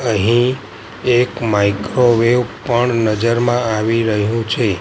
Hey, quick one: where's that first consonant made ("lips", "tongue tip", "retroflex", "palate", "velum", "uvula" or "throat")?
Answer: throat